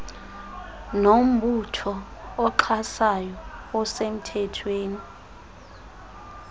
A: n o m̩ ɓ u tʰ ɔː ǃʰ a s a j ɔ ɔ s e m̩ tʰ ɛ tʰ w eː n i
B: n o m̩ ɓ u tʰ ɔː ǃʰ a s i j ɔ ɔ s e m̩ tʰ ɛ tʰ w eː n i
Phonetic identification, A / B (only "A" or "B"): A